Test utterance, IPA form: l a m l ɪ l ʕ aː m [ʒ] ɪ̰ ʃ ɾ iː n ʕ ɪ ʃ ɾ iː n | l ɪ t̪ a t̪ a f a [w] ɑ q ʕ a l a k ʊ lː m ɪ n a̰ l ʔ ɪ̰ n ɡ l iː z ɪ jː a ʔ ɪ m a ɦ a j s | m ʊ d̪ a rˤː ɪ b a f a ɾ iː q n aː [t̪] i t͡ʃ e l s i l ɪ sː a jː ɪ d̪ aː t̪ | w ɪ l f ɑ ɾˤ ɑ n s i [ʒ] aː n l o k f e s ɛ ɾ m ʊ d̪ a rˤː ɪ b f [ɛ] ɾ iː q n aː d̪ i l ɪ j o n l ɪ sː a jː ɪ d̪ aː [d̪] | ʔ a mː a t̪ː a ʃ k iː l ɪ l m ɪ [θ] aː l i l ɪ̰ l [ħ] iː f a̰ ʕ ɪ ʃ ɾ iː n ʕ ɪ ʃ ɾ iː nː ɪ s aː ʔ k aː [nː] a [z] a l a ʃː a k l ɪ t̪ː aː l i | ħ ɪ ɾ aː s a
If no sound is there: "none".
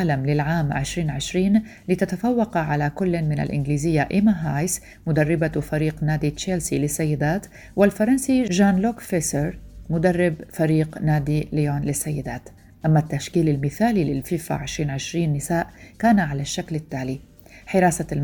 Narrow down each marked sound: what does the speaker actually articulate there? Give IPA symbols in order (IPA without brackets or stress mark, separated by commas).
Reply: ʕ, wː, d̪, ʒ, a, t̪, θ, f, n, ʕ